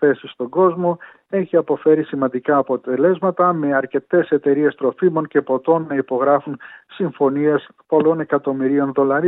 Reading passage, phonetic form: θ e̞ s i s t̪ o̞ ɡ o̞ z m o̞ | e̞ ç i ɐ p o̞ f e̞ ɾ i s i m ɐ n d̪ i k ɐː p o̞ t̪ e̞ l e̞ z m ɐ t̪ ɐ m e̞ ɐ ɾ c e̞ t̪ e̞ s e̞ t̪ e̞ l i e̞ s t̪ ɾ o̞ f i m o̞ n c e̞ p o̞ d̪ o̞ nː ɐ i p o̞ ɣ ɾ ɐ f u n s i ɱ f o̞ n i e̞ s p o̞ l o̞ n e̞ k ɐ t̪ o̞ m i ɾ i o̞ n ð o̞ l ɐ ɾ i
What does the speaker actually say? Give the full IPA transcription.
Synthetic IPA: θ e̞ s i s t̪ o̞ ɡ o̞ z m o̞ | e̞ ç i ɐ p o̞ f e̞ ɾ i s i m ɐ n d̪ i k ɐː p o̞ t̪ e̞ l e̞ z m ɐ t̪ ɐ m e̞ ɐ ɾ c e̞ t̪ e̞ s e̞ t̪ e̞ ɾ i e̞ s t̪ ɾ o̞ f i m o̞ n c e̞ p o̞ t̪ o̞ nː ɐ i p o̞ ɣ ɾ ɐ f u n s i ɱ f o̞ n i e̞ s p o̞ l o̞ n e̞ k ɐ t̪ o̞ m i ɾ i o̞ n ð o̞ l ɐ ɾ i